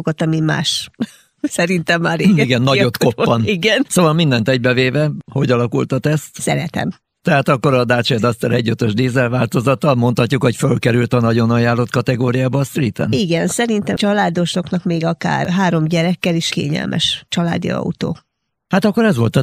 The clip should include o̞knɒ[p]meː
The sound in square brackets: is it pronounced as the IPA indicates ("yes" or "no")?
no